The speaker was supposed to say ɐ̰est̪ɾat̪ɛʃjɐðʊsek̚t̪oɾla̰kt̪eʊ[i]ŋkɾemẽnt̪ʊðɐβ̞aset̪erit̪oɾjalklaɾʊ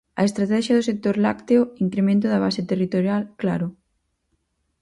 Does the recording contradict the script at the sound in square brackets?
no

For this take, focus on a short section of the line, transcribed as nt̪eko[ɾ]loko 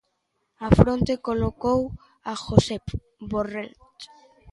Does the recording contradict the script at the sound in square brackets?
yes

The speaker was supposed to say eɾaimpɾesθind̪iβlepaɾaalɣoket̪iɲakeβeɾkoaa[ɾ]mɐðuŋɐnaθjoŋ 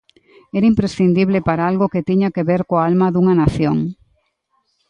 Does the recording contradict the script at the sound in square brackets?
yes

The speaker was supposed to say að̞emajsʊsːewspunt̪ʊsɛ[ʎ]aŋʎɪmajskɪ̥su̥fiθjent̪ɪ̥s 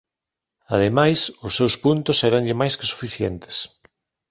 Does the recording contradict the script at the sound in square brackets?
yes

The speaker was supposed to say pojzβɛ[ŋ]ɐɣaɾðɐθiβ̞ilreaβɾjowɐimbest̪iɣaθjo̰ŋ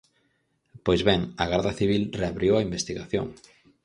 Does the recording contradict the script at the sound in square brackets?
no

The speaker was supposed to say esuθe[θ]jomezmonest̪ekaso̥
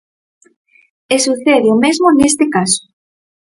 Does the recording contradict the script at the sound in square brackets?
yes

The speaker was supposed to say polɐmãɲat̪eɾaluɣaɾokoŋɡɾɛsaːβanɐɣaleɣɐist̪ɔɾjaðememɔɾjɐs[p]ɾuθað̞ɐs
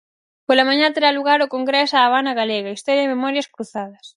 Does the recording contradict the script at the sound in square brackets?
yes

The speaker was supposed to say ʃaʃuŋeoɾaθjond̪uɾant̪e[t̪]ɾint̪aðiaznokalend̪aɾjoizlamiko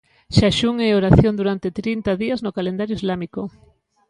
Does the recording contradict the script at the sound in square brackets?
no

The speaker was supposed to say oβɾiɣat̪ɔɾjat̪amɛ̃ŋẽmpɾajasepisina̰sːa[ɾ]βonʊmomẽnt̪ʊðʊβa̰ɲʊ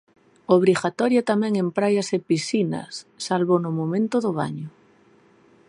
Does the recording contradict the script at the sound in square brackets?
yes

